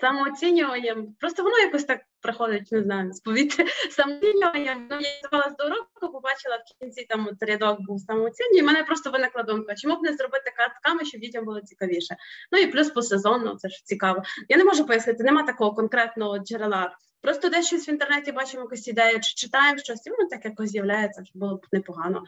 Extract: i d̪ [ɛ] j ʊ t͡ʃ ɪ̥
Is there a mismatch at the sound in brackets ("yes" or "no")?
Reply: no